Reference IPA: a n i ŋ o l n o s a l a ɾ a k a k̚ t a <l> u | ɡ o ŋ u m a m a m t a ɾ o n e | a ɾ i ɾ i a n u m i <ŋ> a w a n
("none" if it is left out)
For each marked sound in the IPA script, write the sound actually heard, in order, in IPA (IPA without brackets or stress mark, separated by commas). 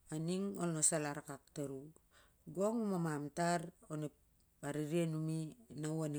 ɾ, n